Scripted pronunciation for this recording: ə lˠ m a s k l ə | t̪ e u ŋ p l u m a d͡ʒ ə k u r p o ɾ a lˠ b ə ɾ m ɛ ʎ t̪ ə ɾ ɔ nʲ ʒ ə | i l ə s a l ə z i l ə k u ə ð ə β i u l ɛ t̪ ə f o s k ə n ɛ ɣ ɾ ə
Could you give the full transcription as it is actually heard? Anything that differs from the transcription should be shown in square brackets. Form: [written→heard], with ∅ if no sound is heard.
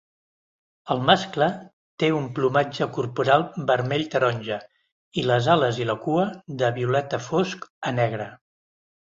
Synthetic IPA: ə lˠ m a s k l ə | t̪ e u [ŋ→m] p l u m a d͡ʒ ə k u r p [o→u] ɾ a lˠ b ə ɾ m ɛ ʎ t̪ ə ɾ ɔ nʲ ʒ ə | i l ə [s→z] a l ə z i l ə k u ə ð ə β i u l ɛ t̪ ə f o s k ə n ɛ ɣ ɾ ə